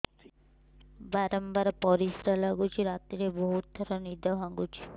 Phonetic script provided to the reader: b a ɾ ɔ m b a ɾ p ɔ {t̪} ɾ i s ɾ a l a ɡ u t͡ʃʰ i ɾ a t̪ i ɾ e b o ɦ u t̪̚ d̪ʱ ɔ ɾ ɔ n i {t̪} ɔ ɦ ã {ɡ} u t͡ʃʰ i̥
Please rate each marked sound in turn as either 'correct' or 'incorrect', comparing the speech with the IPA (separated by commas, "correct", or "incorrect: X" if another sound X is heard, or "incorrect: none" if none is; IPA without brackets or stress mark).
incorrect: none, incorrect: d̪, correct